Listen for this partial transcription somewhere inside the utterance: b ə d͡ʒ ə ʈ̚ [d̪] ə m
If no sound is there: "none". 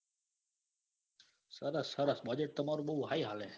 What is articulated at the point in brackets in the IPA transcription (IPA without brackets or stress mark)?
t̪